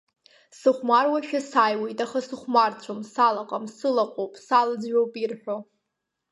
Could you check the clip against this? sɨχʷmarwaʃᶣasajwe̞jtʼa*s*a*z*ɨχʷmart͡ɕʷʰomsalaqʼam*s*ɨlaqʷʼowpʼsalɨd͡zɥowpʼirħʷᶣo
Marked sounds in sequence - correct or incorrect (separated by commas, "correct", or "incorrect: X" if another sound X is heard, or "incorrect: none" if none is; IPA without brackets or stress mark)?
incorrect: χ, incorrect: s, correct